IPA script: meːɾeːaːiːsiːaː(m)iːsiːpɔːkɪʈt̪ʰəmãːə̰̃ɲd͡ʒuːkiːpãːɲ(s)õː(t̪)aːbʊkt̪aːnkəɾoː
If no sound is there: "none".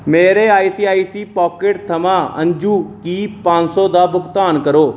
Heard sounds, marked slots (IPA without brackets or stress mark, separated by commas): none, s, d̪